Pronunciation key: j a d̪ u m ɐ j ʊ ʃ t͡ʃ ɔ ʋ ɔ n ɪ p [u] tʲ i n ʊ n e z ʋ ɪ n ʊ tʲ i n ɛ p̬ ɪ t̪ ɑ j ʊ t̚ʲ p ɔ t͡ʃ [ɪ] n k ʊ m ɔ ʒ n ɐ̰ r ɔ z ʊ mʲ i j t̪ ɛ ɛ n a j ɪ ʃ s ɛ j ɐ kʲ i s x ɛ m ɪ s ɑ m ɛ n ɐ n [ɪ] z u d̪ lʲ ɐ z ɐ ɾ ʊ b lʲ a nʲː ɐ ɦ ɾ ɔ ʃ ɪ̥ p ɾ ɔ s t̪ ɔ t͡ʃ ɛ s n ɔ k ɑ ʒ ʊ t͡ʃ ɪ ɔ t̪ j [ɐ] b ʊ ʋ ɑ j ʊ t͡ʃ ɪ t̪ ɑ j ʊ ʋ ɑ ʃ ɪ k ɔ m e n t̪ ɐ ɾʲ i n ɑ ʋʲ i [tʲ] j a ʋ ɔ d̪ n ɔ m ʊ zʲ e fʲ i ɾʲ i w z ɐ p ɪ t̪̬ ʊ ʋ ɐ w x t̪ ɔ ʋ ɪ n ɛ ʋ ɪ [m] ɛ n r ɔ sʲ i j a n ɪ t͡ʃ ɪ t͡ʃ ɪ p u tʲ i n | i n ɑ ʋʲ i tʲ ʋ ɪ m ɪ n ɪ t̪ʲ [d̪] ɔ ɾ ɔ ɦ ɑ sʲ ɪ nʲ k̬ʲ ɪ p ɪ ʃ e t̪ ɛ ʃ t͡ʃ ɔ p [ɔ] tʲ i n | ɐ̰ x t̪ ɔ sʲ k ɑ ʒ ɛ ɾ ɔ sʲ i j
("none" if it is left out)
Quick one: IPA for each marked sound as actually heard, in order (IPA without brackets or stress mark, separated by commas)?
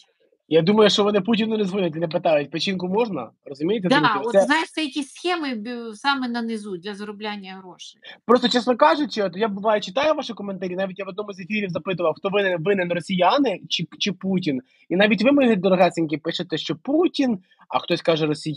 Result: u, i, ɪ, a, tʲ, n, d̪, u